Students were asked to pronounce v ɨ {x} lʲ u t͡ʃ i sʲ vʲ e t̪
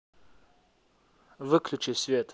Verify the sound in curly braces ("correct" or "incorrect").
incorrect